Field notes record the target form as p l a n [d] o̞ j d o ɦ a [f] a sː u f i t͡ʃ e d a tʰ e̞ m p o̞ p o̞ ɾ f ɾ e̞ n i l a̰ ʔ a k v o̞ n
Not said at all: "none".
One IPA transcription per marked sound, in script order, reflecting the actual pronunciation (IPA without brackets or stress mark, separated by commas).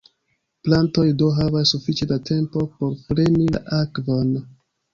t, v